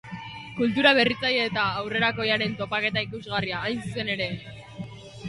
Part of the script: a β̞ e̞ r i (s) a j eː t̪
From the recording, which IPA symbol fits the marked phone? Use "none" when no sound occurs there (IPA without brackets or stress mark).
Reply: t͡s